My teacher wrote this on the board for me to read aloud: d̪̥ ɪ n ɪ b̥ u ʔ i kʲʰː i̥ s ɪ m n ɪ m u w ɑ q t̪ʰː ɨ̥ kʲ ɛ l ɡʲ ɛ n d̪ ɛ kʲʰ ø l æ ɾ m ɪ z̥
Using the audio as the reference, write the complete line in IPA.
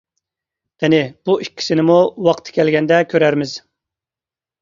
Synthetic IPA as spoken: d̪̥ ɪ n ɪ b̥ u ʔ i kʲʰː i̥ s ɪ n ɪ m u w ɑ q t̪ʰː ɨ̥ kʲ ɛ l ɡʲ ɛ n d̪ ɛ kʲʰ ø ɾ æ ɾ m ɪ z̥

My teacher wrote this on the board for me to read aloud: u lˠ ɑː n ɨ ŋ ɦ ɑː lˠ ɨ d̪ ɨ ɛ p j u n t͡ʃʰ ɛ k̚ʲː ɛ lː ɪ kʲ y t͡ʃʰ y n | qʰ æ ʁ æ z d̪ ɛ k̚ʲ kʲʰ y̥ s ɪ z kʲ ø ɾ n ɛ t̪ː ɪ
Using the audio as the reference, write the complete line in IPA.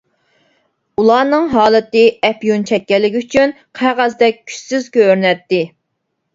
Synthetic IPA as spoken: u lˠ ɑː n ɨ ŋ ɦ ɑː lˠ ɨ t̪ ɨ ɛ p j u n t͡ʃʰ ɛ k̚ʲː ɛ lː ɪ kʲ y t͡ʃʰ y n | qʰ æ ʁ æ z d̪ ɛ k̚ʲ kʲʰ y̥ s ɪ z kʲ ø ɾ n ɛ t̪ː ɪ

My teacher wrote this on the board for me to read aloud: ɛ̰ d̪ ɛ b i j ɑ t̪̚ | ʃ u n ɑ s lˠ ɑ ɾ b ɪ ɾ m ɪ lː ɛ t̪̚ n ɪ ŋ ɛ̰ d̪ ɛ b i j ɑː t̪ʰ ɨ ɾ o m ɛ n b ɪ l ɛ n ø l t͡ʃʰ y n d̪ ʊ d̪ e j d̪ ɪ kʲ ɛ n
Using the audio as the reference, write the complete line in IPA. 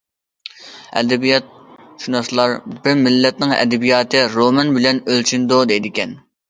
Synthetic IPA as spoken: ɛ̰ d̪ ɛ b i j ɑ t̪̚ | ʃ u n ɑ s lˠ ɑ ɾ b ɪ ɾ m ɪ lː ɛ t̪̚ n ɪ ŋ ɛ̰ d̪ ɛ b i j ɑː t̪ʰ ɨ ɾ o m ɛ n b ɪ l ɛ n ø l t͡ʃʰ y n d̪ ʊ d̪ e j d̪ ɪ kʲ ɛ n

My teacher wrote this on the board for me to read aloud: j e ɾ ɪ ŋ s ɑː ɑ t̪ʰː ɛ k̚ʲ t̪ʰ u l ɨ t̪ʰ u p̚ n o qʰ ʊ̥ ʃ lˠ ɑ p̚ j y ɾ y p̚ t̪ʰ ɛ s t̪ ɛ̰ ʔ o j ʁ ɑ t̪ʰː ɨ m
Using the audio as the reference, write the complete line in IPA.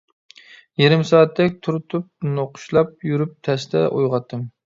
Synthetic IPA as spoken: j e ɾ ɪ m s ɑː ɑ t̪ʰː ɛ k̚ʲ t̪ʰ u ɾ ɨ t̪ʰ u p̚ n o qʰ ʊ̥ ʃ lˠ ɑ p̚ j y ɾ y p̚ t̪ʰ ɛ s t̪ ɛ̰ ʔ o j ʁ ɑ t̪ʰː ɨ m

